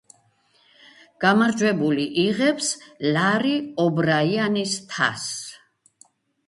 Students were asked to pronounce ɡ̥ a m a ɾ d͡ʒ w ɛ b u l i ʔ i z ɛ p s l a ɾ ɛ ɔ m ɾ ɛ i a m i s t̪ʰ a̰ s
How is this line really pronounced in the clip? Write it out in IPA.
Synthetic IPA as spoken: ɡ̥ a m a ɾ d͡ʒ w ɛ b u l i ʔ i ʁ ɛ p s l a ɾ i ɔ b ɾ a i a n i s t̪ʰ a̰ s